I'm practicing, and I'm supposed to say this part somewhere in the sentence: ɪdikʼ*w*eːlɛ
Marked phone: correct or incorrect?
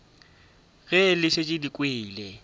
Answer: correct